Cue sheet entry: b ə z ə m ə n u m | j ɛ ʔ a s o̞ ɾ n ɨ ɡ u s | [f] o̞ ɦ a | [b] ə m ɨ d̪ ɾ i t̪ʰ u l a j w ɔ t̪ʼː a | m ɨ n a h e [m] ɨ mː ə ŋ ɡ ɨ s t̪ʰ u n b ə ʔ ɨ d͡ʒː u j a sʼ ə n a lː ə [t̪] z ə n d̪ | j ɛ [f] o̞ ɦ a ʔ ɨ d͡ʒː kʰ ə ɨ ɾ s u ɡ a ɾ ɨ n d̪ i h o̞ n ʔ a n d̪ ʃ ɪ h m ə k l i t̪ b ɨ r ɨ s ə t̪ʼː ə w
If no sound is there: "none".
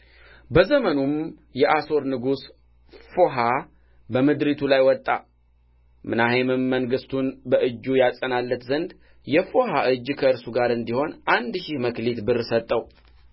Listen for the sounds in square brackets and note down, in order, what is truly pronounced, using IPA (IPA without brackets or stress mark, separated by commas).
f, b, m, t̪, f